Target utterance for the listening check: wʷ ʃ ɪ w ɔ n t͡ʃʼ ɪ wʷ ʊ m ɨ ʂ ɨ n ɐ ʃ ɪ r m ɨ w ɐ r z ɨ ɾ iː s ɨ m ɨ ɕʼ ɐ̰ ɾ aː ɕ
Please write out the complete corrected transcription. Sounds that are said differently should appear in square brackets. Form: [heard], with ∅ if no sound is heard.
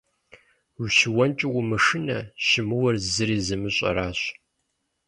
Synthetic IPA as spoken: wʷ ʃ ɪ w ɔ n t͡ʃʼ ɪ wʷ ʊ m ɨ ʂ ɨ n ɐ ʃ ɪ [∅] m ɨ w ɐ r z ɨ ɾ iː [z] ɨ m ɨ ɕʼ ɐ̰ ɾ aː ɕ